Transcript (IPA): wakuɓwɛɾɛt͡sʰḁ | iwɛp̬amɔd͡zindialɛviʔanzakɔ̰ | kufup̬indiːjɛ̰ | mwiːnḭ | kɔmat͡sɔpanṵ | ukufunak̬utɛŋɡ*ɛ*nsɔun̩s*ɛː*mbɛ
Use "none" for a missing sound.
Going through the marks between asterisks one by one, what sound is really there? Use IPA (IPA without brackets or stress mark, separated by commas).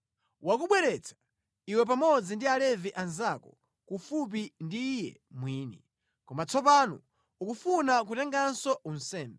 a, ɛː